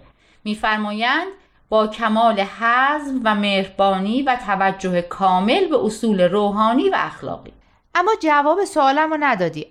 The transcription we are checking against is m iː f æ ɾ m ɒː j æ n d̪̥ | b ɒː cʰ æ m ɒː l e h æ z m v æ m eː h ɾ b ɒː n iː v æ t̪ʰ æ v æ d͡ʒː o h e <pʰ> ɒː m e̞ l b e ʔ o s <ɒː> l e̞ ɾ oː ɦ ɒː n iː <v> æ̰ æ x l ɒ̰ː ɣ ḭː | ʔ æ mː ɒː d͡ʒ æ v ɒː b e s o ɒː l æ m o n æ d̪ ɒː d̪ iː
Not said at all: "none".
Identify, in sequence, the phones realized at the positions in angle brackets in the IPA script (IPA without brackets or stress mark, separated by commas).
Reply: kʰ, uː, v